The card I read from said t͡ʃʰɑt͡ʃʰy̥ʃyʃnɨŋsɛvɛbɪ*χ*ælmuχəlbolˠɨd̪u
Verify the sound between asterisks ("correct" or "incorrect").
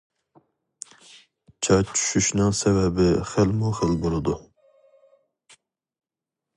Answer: correct